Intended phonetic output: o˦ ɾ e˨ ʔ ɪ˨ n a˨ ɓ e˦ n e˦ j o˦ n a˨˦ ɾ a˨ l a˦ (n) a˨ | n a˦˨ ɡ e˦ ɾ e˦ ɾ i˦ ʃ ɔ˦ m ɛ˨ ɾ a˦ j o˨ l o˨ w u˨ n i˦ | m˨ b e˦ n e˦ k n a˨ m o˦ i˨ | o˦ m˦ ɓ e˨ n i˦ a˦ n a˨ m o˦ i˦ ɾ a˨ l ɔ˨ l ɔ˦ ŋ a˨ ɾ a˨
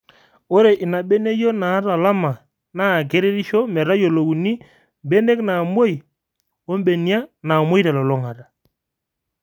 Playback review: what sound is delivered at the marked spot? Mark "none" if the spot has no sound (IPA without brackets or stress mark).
m